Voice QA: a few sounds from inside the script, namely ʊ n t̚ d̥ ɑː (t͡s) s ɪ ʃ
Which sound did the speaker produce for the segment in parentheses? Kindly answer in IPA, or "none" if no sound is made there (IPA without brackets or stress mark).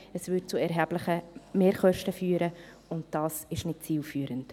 none